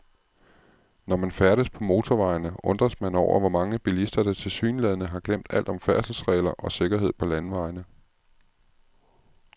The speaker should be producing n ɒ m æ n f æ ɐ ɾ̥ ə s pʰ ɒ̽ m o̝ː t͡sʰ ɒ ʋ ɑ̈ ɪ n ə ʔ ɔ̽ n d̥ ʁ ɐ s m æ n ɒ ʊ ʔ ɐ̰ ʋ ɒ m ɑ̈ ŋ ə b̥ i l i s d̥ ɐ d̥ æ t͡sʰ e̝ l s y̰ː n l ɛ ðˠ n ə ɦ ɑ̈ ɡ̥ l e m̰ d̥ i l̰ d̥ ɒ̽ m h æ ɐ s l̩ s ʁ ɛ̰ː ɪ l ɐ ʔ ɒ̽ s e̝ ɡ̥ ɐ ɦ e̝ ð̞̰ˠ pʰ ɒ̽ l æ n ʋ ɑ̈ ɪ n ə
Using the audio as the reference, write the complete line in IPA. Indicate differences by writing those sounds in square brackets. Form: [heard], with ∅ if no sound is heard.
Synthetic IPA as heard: n ɒ m æ n f æ ɐ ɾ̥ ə s pʰ ɒ̽ m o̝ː t͡sʰ ɒ ʋ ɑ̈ ɪ n ə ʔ ɔ̽ n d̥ ʁ ɐ s m æ n ɒ ʊ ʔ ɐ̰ ʋ ɒ m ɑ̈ ŋ ə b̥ i l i s d̥ ɐ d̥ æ t͡sʰ e̝ l s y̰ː n l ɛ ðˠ n ə ɦ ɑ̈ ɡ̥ l e m̰ d̥ [æ] l̰ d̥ ɒ̽ m [f] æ ɐ s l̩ s ʁ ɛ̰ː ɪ l ɐ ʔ ɒ̽ s e̝ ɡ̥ ɐ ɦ e̝ ð̞̰ˠ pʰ ɒ̽ l æ n ʋ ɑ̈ ɪ n ə